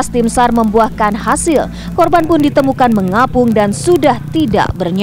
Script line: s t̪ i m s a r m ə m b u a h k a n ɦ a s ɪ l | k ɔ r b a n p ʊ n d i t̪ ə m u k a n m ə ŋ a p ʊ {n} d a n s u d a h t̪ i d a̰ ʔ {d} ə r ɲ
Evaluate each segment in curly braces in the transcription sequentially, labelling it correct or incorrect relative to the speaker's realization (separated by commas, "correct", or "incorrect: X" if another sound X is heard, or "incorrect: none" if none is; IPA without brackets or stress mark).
incorrect: ŋ, incorrect: b